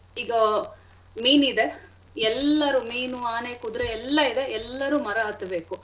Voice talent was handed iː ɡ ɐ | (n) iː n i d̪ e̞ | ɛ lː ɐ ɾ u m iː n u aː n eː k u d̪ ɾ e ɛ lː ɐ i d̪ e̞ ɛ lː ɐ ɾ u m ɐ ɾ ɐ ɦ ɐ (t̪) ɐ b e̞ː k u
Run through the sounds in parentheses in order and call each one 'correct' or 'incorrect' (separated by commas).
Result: incorrect, correct